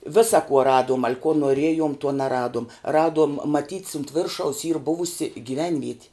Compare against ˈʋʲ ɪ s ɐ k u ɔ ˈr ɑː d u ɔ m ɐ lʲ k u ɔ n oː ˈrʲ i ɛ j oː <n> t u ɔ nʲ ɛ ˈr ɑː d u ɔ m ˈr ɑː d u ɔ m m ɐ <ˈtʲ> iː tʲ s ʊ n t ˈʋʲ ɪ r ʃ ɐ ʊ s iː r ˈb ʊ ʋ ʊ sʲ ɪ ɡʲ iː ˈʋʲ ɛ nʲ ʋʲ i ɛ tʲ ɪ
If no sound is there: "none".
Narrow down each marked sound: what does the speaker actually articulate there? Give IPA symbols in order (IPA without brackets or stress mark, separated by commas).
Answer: m, tʲ